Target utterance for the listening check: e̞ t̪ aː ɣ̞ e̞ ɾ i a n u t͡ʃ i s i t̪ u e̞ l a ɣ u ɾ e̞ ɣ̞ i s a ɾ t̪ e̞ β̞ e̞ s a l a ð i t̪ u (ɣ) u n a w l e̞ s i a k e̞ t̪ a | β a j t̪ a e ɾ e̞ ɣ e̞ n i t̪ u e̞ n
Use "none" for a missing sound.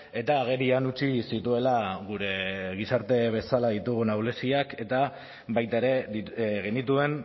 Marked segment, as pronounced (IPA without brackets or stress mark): ɣ